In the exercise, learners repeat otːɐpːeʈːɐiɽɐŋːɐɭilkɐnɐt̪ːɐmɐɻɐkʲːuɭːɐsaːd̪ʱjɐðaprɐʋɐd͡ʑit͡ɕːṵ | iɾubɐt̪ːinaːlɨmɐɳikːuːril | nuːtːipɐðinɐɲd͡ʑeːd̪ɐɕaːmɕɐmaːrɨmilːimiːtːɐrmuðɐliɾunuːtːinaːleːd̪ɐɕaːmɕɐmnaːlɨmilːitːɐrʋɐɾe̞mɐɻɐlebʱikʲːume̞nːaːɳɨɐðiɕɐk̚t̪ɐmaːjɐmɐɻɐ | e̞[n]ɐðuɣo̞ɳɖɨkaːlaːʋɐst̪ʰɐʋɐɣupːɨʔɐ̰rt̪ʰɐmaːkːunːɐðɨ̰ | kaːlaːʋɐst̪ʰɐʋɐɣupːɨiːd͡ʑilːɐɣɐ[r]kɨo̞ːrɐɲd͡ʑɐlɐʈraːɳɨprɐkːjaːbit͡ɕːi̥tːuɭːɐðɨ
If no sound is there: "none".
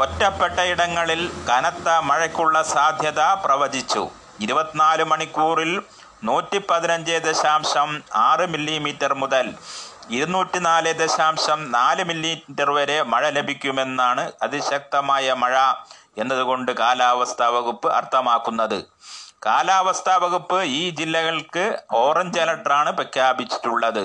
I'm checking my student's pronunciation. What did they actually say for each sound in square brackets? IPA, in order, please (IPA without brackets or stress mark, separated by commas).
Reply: nː, ɭ